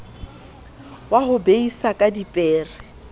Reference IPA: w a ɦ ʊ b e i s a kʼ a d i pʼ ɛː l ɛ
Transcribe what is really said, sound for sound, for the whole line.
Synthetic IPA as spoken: w a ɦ ʊ b e i s a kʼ a d i pʼ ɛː r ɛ